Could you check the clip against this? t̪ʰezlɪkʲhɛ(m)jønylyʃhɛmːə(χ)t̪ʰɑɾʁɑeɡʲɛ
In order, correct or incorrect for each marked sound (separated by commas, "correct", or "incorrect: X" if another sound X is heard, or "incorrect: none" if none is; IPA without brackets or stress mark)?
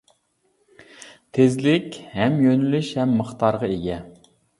correct, correct